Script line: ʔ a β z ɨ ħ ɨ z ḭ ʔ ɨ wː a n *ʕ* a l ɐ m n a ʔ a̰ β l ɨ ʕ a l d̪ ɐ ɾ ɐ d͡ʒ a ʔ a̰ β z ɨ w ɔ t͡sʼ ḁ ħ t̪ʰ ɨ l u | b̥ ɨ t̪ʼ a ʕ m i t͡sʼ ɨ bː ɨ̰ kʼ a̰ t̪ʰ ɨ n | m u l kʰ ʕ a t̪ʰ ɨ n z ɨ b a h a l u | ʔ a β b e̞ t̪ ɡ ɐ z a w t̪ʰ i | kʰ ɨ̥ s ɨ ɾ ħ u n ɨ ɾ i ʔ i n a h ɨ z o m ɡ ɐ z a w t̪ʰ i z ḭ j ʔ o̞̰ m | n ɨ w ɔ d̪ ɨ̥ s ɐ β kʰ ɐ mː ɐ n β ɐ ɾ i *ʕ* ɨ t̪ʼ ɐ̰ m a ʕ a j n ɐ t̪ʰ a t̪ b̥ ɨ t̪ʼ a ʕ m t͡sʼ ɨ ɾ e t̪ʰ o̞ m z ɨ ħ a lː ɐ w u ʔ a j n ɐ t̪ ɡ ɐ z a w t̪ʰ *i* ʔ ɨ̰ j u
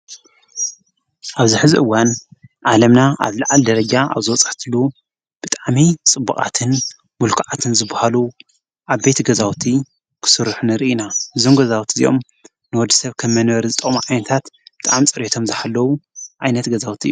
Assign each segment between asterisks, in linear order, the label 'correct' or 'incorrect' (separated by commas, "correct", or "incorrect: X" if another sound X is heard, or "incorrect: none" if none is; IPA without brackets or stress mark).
correct, incorrect: z, correct